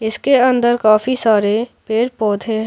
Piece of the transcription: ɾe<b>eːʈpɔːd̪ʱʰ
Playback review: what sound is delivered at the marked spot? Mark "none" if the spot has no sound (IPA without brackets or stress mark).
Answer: p